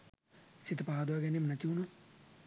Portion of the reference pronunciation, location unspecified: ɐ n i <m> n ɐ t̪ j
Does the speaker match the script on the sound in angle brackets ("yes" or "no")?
yes